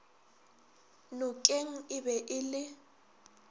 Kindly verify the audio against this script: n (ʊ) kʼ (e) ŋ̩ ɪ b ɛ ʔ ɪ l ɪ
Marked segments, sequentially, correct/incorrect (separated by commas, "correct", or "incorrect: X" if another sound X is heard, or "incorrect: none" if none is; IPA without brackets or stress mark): correct, correct